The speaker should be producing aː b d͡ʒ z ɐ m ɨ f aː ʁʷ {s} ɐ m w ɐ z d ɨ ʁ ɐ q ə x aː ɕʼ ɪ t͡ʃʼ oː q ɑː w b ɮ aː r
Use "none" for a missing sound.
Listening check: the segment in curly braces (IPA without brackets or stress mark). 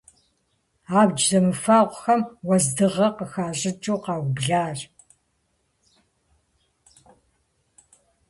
x